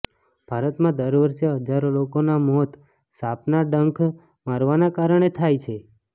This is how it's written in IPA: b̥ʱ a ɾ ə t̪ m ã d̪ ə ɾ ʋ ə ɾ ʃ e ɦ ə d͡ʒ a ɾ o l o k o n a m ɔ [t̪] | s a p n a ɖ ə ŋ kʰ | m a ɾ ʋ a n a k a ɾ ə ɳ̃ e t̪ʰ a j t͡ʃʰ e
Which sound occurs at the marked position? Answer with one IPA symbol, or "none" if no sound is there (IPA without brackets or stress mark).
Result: t̪